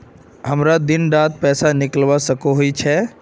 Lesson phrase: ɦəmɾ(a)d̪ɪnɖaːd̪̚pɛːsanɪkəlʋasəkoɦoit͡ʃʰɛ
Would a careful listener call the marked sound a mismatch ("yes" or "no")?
no